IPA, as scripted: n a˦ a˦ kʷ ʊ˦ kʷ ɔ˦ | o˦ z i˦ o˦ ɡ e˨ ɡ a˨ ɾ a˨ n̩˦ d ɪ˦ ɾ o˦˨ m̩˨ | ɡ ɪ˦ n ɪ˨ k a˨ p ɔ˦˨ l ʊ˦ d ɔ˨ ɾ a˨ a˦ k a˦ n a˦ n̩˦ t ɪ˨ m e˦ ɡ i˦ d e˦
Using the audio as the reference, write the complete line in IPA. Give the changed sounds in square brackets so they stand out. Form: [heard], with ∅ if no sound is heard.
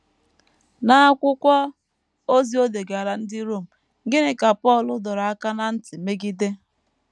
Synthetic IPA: n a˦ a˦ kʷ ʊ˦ kʷ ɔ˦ | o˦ z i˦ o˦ [d] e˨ ɡ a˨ ɾ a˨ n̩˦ d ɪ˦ ɾ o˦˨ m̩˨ | ɡ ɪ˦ n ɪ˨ k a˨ p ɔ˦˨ l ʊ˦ d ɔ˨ ɾ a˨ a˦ k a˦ n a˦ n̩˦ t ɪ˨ m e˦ ɡ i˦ d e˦